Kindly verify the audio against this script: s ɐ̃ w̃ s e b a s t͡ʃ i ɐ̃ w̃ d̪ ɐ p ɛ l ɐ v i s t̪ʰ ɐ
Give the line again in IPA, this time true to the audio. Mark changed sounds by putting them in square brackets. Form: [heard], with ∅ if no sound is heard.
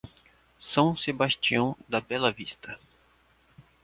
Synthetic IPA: s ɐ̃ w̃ s e b a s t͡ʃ i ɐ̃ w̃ d̪ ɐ [b] ɛ l ɐ v i s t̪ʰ ɐ